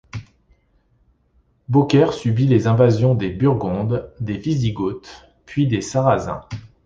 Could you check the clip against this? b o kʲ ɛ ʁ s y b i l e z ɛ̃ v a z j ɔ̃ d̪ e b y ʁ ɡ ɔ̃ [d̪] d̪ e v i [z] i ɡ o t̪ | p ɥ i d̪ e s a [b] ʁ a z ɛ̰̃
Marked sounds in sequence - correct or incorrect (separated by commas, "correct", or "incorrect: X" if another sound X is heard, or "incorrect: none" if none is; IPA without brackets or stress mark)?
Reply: correct, correct, incorrect: none